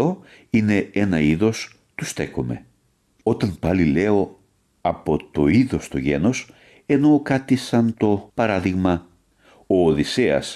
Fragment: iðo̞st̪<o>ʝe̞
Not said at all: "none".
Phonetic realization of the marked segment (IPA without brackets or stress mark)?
o